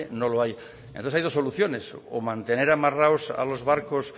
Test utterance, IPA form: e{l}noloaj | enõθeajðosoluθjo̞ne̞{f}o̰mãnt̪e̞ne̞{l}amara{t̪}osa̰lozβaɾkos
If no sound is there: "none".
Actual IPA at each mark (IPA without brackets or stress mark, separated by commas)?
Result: none, s, ɾ, none